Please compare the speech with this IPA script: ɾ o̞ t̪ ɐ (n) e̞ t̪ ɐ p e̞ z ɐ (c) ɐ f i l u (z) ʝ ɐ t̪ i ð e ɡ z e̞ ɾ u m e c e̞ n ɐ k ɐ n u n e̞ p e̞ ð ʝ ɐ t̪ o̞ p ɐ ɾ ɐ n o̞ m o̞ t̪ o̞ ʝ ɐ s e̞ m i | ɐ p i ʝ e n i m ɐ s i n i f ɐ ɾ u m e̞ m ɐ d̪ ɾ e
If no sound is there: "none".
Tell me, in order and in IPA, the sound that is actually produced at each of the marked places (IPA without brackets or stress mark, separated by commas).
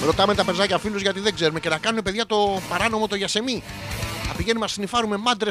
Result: m, c, z